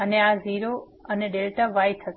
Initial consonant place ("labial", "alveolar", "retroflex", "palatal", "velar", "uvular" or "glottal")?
alveolar